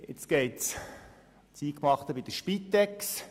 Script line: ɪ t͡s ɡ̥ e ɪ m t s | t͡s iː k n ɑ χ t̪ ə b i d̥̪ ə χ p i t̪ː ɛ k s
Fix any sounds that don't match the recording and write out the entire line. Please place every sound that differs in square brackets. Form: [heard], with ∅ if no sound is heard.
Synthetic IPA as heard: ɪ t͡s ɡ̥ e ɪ [∅] t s | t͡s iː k [m] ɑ χ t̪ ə b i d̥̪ ə [ʃ] p i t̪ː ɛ k s